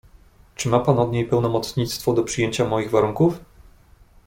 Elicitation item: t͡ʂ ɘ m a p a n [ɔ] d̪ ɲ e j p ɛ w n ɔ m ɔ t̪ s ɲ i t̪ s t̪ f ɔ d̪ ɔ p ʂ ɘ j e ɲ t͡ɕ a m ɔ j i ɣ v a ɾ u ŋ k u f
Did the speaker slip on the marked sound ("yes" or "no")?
no